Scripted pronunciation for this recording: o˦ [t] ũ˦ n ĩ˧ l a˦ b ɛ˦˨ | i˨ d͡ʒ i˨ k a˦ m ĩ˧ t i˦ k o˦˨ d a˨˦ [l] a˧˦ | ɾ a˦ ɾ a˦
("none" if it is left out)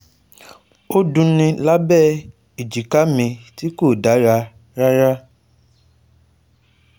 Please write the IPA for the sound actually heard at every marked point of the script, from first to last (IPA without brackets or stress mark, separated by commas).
d, ɾ